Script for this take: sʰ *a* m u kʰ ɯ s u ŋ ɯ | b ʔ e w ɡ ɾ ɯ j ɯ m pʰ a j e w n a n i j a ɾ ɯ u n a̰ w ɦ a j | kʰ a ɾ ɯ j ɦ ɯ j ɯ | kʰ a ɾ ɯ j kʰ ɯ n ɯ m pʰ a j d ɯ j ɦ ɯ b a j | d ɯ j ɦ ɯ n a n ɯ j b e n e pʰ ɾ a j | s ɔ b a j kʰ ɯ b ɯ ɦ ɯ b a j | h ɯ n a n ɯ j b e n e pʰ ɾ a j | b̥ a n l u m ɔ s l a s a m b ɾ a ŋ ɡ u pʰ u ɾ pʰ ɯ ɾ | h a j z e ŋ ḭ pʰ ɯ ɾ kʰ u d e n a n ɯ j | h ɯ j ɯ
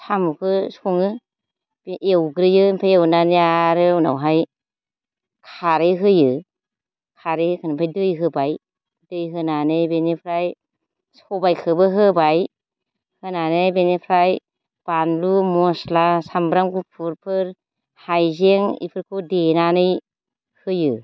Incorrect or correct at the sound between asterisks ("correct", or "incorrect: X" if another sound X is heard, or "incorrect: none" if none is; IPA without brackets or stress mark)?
correct